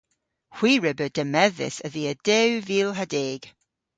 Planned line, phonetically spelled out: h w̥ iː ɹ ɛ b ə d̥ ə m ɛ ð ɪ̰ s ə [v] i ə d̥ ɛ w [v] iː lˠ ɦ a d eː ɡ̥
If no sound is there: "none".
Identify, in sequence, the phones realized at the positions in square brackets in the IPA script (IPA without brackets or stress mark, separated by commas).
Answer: ð, v